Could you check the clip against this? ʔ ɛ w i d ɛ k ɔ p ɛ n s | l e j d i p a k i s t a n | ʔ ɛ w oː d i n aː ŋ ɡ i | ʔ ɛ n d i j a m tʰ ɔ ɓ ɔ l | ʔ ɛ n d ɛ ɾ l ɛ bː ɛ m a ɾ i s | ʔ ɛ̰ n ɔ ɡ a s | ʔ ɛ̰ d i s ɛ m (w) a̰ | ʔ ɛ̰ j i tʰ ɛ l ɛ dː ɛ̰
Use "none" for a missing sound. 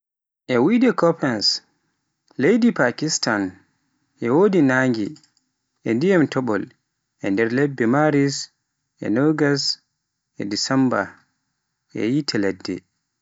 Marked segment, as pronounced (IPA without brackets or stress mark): b